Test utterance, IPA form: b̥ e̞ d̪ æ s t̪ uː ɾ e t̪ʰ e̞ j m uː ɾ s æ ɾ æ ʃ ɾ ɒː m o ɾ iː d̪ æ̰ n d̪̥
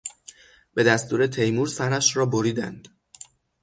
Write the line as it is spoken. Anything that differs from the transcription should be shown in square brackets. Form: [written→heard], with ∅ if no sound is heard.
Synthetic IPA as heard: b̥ e̞ d̪ æ s t̪ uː ɾ e t̪ʰ e̞ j m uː ɾ s æ ɾ æ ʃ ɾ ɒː [m→b] o ɾ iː d̪ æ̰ n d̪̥